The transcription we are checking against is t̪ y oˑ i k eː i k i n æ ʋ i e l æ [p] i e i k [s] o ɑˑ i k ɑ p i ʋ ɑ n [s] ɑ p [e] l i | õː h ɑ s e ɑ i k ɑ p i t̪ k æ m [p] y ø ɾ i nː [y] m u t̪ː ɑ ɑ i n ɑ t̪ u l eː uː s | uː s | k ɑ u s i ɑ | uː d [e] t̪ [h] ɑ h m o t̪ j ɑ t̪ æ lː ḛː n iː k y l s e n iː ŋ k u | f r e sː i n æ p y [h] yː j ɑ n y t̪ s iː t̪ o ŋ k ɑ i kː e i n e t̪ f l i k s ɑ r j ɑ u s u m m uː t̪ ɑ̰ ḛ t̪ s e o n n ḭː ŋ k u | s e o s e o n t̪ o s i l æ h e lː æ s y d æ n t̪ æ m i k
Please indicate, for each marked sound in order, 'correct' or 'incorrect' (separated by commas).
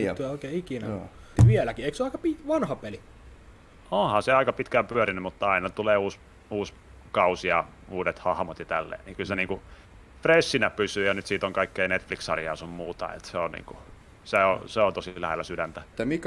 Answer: incorrect, correct, incorrect, correct, correct, correct, correct, correct, incorrect